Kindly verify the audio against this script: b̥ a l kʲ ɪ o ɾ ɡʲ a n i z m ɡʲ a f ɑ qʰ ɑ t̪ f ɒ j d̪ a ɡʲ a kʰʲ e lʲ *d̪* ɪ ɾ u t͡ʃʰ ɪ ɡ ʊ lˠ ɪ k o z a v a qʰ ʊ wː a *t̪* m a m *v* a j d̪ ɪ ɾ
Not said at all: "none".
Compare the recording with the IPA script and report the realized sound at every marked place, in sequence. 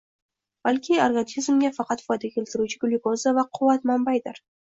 t̪, t̪, b

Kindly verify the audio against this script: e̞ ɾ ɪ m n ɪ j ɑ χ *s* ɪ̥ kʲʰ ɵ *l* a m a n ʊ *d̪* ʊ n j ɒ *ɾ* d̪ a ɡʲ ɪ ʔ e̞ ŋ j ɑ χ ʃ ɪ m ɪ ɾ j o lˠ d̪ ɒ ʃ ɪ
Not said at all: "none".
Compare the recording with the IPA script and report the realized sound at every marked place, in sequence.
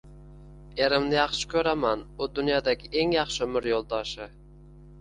ʃ, ɾ, d̪, none

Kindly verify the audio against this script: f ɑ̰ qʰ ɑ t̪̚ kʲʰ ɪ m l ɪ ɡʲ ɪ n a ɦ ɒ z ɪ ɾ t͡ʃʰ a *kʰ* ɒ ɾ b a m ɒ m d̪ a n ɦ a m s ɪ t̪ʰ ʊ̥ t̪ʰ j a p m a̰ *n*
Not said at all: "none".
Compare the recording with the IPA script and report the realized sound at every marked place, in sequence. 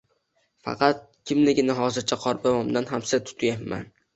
qʰ, n

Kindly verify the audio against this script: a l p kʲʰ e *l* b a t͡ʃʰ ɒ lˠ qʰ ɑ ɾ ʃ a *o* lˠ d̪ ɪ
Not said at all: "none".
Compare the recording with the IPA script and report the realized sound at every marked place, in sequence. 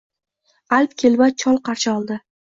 l, ɒ

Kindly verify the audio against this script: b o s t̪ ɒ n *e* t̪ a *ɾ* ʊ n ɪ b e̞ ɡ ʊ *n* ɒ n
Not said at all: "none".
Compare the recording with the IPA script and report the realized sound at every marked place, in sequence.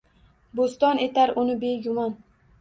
e, ɾ, m

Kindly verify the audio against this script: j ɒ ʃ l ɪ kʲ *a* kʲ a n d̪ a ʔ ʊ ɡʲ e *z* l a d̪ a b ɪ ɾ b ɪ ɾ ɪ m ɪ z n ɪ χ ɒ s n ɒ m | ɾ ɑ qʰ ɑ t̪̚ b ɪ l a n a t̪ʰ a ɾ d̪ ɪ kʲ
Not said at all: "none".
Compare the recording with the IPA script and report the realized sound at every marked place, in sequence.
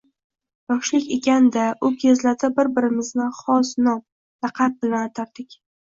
e, z

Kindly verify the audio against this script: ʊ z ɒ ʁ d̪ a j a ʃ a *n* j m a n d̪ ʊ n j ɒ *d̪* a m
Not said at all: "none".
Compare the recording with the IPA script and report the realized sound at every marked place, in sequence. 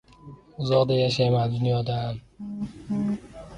none, d̪

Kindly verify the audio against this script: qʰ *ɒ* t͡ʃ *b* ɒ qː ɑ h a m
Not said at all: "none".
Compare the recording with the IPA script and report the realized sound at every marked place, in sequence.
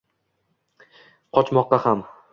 ɒ, m

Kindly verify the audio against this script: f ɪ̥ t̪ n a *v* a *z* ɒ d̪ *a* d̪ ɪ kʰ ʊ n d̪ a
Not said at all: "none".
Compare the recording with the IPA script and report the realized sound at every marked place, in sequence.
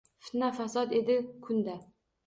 f, s, e

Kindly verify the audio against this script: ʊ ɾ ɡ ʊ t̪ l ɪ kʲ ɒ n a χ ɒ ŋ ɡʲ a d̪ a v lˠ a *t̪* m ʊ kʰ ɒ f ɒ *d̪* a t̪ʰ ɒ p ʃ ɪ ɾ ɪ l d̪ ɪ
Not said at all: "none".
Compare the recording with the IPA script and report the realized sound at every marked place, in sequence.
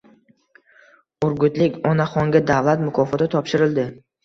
t̪, t̪

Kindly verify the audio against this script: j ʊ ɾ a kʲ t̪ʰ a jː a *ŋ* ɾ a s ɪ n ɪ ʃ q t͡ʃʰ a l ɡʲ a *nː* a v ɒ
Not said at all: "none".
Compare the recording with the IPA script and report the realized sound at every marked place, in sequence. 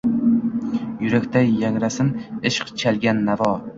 ŋ, nː

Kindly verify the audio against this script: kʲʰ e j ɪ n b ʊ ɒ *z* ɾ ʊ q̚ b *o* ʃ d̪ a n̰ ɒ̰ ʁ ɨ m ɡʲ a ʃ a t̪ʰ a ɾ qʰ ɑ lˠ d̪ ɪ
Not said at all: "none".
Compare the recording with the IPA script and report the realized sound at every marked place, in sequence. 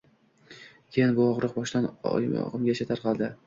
ʁ, ɒ

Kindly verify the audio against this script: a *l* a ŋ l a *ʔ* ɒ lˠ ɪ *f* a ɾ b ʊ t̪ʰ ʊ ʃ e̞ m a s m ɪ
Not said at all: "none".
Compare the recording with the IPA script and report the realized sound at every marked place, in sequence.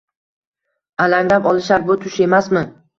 l, p, ʃ

